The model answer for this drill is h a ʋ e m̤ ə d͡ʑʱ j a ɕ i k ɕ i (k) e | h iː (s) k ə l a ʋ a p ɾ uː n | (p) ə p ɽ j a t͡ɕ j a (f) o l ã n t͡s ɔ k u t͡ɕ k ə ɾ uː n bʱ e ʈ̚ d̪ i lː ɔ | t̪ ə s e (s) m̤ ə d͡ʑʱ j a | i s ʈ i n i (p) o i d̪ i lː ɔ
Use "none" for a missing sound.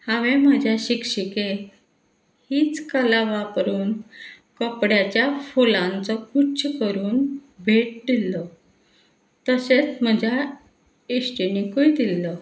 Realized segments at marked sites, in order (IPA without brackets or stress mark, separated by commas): k, t͡s, k, f, t͡s, k